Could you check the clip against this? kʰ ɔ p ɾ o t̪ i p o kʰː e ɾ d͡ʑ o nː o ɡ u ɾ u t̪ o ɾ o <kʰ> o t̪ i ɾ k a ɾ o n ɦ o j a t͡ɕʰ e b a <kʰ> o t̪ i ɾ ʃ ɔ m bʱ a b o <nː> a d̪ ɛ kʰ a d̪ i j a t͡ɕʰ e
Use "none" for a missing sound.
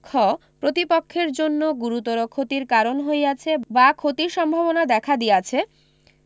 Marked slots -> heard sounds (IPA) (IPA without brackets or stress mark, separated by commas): kʰ, kʰ, n